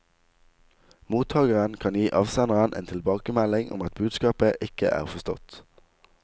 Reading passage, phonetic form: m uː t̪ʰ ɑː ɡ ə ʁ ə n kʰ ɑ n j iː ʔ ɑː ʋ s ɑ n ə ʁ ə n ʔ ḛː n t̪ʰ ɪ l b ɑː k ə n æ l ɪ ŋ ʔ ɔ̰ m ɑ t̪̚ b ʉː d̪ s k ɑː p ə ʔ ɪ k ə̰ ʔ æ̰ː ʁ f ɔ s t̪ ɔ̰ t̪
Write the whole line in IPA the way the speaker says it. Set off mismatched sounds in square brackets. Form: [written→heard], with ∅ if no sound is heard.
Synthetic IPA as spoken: m uː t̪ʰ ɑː ɡ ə ʁ ə n kʰ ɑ n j iː ʔ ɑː ʋ s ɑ n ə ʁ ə n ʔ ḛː n t̪ʰ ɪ l b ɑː k ə [n→m] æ l ɪ ŋ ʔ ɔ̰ m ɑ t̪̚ b ʉː d̪ s k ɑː p ə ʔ ɪ k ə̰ ʔ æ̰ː ʁ f ɔ s t̪ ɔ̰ t̪